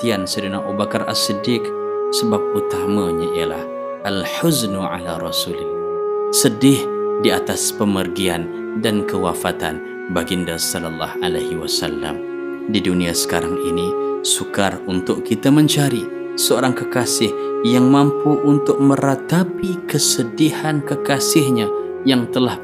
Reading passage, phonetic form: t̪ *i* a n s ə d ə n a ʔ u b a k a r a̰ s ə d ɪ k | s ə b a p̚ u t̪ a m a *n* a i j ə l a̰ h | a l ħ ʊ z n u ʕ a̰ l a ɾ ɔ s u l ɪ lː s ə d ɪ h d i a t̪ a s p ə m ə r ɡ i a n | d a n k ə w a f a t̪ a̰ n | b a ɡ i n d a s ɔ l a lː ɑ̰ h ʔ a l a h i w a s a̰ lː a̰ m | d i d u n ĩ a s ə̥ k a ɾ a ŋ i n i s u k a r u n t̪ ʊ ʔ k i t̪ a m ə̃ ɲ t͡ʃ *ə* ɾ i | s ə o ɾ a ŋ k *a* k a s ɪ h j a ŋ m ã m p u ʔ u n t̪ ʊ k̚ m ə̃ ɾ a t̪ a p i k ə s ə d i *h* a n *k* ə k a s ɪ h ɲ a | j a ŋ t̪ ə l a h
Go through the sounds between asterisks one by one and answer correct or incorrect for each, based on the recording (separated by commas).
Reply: correct, incorrect, incorrect, incorrect, correct, correct